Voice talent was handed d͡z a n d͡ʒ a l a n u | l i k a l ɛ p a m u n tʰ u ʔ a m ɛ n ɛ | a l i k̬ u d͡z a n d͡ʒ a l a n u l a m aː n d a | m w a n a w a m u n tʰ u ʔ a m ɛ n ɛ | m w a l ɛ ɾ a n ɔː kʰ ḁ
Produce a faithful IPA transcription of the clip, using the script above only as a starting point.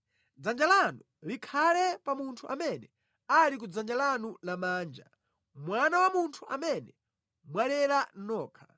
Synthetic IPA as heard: d͡z a n d͡ʒ a l a n u | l i kʰ a l ɛ p a m u n tʰ u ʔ a m ɛ n ɛ | a l i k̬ u d͡z a n d͡ʒ a l a n u l a m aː n d͡ʒ a | m w a n a w a m u n tʰ u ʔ a m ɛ n ɛ | m w a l ɛ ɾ a n ɔː kʰ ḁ